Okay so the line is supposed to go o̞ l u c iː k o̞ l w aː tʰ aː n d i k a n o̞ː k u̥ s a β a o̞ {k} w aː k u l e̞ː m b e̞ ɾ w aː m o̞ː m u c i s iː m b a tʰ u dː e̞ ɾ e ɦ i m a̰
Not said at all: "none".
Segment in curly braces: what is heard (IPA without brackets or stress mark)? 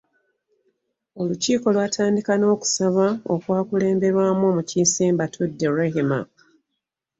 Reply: k